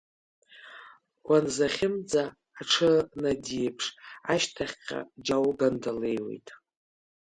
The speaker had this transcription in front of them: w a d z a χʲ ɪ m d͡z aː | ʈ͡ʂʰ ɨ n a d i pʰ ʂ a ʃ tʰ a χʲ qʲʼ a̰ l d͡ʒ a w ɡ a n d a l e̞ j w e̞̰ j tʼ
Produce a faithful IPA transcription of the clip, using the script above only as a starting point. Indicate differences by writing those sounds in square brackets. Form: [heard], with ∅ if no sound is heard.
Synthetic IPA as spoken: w a [n] z a χʲ ɪ m d͡z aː | ʈ͡ʂʰ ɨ n a d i pʰ ʂ a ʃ tʰ a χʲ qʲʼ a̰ [∅] d͡ʒ a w ɡ a n d a l e̞ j w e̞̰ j tʼ